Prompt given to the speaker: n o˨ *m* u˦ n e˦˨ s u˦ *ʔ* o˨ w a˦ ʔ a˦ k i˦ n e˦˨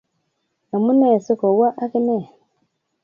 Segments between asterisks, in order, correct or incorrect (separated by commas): correct, incorrect